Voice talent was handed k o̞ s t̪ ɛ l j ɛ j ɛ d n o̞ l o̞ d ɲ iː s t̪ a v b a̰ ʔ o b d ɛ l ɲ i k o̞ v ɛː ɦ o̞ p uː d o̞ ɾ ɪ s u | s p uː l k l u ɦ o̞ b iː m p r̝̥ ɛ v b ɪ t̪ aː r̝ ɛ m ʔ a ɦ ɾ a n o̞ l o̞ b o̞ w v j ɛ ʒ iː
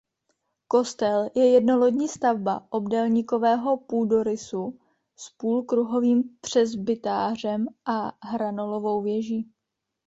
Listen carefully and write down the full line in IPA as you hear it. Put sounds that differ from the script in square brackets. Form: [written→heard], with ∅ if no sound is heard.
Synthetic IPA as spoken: k o̞ s t̪ ɛ l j ɛ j ɛ d n o̞ l o̞ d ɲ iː s t̪ a v b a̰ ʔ o b d ɛ l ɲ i k o̞ v ɛː ɦ o̞ p uː d o̞ ɾ ɪ s u | s p uː l k [l→ɾ] u ɦ o̞ [b→v] iː m p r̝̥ ɛ [v→z] b ɪ t̪ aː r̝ ɛ m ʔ a ɦ ɾ a n o̞ l o̞ [b→v] o̞ w v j ɛ ʒ iː